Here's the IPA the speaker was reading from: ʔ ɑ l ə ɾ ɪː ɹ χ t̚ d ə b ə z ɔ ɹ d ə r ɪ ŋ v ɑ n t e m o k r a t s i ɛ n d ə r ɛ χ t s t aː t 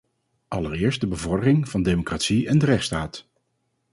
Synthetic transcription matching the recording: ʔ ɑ l ə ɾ ɪː ɹ s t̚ d ə b ə v ɔ ɹ d ə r ɪ ŋ v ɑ n d e m o k r a t s i ɛ n d ə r ɛ χ t s t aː t